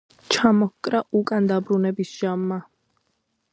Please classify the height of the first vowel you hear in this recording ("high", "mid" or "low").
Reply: low